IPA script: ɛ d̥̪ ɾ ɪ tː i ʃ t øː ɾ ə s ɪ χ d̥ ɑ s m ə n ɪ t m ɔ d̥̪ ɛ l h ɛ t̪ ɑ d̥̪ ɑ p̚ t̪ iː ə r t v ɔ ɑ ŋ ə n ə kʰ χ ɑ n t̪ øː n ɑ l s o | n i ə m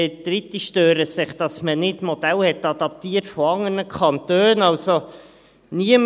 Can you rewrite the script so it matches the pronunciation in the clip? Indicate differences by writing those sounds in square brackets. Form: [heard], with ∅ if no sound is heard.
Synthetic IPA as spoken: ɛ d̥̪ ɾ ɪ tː i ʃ t øː ɾ ə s ɪ χ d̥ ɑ s m ə n ɪ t m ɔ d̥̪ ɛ l h ɛ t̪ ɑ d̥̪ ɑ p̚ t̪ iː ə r t [f] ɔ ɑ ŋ ə n ə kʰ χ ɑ n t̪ øː n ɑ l s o | n i ə m